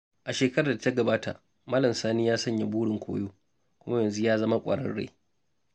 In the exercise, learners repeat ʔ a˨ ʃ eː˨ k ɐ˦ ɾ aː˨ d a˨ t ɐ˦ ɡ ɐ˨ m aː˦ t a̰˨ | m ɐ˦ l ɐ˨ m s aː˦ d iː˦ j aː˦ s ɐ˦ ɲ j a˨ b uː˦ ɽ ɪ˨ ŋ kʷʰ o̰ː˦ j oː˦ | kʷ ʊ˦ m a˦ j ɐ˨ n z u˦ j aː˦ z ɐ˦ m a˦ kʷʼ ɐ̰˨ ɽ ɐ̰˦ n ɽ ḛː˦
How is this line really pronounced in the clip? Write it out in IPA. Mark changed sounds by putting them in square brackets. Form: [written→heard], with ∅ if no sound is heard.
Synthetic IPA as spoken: ʔ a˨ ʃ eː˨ k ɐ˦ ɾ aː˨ d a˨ t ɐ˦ ɡ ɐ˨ [m→b] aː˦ t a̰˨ | m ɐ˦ l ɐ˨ m s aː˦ [d→n] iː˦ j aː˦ s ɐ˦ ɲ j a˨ b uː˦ ɽ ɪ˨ ŋ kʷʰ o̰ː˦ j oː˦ | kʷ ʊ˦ m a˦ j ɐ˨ n z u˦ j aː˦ z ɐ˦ m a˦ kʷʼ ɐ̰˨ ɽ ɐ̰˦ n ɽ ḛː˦